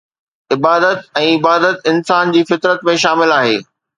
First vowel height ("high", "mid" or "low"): high